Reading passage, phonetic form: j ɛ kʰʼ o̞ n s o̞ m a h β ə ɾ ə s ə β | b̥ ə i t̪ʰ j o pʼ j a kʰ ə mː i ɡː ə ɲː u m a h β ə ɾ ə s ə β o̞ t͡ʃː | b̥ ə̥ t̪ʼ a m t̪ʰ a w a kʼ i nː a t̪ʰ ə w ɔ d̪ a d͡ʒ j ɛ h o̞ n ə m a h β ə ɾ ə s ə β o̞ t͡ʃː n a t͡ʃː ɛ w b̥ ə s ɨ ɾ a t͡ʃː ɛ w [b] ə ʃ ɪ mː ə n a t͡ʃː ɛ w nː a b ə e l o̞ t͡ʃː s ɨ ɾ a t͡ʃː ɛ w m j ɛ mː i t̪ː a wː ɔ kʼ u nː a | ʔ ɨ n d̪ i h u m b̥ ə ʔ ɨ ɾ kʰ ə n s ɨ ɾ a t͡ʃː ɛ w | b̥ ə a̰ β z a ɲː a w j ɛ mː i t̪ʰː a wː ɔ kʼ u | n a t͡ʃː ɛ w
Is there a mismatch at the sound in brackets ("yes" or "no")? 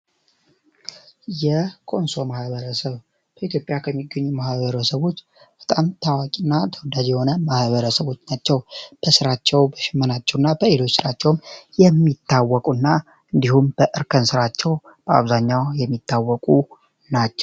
no